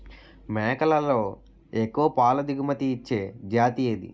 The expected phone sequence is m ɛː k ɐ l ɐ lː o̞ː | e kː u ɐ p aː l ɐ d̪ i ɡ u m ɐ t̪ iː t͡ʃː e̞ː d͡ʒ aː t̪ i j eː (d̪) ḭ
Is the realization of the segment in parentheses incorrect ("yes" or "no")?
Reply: no